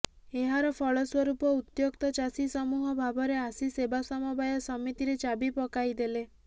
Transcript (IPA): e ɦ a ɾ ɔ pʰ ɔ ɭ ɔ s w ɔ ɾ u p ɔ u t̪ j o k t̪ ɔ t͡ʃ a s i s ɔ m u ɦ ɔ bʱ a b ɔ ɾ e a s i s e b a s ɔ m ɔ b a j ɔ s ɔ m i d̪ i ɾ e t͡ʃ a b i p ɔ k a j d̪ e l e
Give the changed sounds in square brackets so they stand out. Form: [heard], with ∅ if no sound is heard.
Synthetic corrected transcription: e ɦ a ɾ ɔ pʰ ɔ ɭ ɔ s w ɔ ɾ u p ɔ u t̪ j o k t̪ ɔ t͡ʃ a s i s ɔ m u ɦ ɔ bʱ a b ɔ ɾ e a s i s e b a s ɔ m ɔ b a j ɔ s ɔ m i [t̪] i ɾ e t͡ʃ a b i p ɔ k a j d̪ e l e